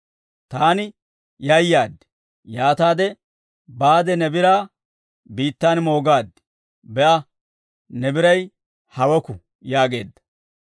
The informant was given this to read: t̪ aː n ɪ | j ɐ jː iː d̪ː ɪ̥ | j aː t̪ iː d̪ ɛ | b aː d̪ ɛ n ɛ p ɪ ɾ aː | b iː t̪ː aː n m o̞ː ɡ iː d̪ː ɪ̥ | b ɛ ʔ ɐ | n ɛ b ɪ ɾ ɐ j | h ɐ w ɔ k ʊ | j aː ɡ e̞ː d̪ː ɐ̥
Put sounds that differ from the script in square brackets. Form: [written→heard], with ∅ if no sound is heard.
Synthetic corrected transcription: t̪ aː n ɪ | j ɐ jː [iː→aː] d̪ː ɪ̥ | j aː t̪ [iː→aː] d̪ ɛ | b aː d̪ ɛ n ɛ [p→b] ɪ ɾ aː | b iː t̪ː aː n m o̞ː ɡ [iː→aː] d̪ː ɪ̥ | b ɛ ʔ ɐ | n ɛ b ɪ ɾ ɐ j | h ɐ w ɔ k ʊ | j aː ɡ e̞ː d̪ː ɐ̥